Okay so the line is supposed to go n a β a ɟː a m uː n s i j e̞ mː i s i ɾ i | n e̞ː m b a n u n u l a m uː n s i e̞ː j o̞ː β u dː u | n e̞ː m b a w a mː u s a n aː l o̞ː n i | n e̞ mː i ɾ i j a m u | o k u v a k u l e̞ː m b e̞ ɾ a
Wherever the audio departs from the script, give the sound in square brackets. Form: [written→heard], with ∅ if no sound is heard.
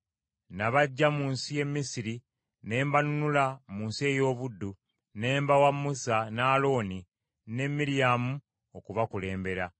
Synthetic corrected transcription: n a β a ɟː a m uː n s i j e̞ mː i s i ɾ i | n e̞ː m b a n u n u l a m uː n s i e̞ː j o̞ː β u dː u | n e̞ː m b a w a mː u s a n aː l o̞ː n i | n e̞ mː i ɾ i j a m u | o k u [v→β] a k u l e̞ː m b e̞ ɾ a